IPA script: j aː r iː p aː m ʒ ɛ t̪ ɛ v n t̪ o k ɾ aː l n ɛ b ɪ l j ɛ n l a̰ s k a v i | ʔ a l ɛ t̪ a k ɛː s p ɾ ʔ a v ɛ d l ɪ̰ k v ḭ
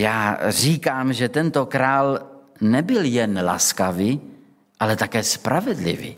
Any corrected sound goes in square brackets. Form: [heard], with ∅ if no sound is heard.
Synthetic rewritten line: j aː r iː [k] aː m ʒ ɛ t̪ ɛ [∅] n t̪ o k ɾ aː l n ɛ b ɪ l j ɛ n l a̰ s k a v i | ʔ a l ɛ t̪ a k ɛː s p ɾ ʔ a v ɛ d l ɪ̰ [∅] v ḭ